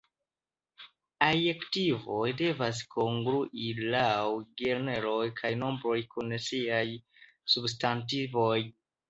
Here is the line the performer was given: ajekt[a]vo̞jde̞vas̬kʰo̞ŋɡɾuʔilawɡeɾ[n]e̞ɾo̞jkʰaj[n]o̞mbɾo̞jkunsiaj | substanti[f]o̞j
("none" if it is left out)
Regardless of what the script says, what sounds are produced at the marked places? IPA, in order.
i, n, n, v

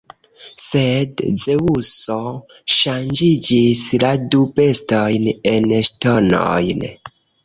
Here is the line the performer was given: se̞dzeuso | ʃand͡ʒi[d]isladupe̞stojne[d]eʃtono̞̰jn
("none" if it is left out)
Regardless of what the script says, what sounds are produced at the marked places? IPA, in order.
d͡ʒ, n

